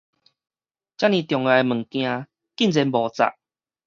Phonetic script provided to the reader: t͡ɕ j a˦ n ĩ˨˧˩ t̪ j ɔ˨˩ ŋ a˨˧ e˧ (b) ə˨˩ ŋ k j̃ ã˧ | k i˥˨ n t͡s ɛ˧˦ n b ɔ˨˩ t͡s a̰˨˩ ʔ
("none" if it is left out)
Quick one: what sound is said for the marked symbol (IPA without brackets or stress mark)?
m